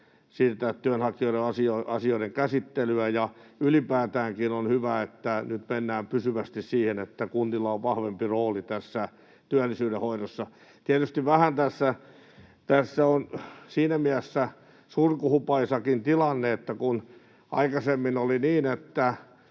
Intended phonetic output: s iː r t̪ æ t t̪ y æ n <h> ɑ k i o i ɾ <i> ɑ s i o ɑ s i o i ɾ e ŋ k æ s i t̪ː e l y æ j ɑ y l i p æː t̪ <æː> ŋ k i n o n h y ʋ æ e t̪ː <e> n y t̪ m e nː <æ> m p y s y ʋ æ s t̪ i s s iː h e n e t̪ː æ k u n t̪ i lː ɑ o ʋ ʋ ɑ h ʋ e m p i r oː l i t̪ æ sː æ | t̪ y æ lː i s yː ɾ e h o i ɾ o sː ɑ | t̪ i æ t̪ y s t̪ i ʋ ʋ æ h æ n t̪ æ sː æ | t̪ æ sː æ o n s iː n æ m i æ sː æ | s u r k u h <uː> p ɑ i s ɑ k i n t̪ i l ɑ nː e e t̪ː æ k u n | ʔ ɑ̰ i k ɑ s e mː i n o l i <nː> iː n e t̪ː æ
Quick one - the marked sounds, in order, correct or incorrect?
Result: correct, incorrect: e, correct, incorrect: æ, incorrect: æː, incorrect: u, incorrect: n

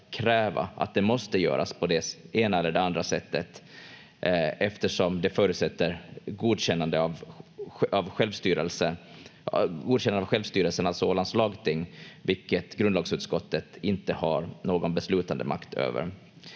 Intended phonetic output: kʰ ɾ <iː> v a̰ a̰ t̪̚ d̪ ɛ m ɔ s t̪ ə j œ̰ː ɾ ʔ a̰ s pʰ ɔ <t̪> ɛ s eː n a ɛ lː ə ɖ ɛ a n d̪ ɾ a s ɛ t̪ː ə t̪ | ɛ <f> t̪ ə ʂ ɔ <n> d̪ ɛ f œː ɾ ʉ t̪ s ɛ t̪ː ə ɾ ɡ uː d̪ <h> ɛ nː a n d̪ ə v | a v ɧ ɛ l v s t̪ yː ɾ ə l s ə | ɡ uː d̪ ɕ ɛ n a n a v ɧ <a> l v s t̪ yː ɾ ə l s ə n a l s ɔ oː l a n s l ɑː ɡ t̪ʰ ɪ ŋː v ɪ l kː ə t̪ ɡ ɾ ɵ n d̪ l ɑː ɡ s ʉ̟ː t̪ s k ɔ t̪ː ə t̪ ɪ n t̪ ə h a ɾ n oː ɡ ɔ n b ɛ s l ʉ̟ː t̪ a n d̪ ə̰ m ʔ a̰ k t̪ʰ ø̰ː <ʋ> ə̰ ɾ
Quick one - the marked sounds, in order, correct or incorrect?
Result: incorrect: ɛː, incorrect: d̪, correct, incorrect: m, incorrect: ɕ, incorrect: ɛ, incorrect: v

